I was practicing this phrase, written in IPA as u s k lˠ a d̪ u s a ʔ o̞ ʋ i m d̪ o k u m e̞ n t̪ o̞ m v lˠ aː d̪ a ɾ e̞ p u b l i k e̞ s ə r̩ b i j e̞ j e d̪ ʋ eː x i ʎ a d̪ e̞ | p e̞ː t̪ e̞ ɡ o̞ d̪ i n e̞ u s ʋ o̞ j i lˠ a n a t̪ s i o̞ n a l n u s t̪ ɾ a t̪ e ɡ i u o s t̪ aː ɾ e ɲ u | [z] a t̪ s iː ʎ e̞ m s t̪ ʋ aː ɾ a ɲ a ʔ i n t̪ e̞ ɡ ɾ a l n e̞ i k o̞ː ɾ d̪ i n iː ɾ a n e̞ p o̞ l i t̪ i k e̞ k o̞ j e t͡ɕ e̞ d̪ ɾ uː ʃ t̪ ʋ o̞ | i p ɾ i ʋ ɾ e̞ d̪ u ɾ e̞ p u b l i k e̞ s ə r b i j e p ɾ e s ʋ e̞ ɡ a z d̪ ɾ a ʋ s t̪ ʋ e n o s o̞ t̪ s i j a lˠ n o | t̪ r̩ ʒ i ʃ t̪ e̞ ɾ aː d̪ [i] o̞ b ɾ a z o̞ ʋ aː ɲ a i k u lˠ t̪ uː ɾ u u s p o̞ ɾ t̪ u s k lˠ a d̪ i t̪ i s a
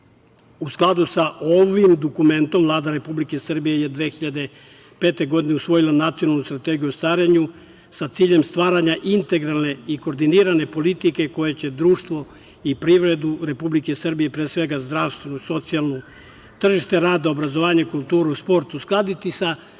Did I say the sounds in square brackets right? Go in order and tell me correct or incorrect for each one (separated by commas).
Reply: incorrect, incorrect